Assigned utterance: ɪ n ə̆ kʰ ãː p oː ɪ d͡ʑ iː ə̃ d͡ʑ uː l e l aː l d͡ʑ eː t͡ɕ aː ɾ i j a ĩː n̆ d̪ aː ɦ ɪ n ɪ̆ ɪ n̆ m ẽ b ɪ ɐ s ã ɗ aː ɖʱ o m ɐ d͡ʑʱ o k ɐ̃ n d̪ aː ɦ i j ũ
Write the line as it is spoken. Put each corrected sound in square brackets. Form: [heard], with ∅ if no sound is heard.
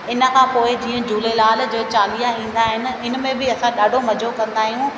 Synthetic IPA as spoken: ɪ n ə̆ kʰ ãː p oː ɪ d͡ʑ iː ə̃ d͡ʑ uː l e l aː l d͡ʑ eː t͡ɕ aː [l] i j a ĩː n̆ d̪ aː ɦ ɪ n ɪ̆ ɪ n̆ m ẽ b ɪ ɐ s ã ɗ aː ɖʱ o m ɐ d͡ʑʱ o k ɐ̃ n d̪ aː ɦ i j ũ